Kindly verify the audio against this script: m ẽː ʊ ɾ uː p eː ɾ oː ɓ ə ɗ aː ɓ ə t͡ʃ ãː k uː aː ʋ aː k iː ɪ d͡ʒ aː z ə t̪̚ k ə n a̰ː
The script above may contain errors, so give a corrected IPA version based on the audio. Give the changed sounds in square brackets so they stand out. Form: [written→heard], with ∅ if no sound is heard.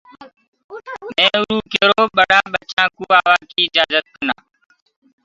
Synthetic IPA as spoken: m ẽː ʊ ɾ uː [p→k] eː ɾ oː ɓ ə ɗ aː ɓ ə t͡ʃ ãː k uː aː ʋ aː k iː ɪ d͡ʒ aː z ə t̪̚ k ə n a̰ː